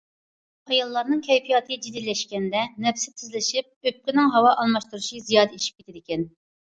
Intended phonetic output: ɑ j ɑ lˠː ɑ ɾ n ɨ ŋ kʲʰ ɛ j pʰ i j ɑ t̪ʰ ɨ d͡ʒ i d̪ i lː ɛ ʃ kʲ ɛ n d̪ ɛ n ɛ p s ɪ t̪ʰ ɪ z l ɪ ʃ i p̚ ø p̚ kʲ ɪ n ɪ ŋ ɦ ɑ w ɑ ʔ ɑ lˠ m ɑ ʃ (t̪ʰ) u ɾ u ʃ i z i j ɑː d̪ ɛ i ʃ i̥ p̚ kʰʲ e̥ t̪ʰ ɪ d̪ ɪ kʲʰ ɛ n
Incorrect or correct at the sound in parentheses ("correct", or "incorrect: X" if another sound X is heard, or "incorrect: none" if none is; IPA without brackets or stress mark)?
incorrect: t̪